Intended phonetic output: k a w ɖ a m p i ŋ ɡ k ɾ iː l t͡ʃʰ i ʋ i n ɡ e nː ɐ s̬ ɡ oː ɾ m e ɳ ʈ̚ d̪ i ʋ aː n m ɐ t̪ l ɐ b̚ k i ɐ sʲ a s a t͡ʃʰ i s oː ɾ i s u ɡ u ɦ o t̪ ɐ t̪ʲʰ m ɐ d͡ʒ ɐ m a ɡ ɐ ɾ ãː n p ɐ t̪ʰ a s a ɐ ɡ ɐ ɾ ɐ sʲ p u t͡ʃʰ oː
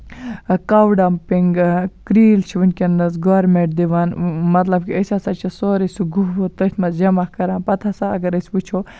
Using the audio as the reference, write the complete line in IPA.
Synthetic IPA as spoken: k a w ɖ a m p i ŋ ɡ k ɾ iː l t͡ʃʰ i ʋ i n k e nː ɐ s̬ ɡ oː ɾ m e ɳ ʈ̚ d̪ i ʋ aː n m ɐ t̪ l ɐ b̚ k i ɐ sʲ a s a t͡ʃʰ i s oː ɾ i s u ɡ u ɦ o t̪ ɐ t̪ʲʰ m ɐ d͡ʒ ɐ m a k ɐ ɾ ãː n p ɐ t̪ʰ a s a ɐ ɡ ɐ ɾ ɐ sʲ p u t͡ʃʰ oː